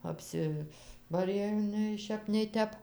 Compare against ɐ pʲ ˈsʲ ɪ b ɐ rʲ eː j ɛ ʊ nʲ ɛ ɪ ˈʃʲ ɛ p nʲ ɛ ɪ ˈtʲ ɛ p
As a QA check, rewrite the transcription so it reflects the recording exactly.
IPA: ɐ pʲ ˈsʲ ɪ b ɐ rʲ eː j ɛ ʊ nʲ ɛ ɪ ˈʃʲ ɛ p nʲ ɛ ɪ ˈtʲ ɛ p